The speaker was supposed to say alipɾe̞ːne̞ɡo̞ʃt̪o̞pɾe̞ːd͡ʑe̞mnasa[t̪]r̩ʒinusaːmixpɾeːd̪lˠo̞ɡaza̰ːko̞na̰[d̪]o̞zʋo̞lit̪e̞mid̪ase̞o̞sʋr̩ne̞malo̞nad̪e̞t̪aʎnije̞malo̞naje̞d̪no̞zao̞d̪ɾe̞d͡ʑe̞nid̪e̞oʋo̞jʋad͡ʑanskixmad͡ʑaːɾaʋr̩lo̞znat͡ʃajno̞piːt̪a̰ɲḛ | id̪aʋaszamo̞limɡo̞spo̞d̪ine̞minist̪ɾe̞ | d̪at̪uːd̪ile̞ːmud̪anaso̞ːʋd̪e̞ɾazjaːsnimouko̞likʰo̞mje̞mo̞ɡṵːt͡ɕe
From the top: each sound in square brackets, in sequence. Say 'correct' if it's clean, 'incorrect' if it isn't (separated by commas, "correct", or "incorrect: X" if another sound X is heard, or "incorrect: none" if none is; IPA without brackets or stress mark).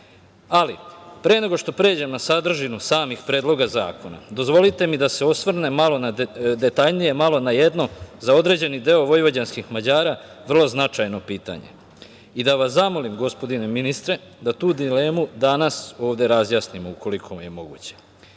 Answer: incorrect: d̪, correct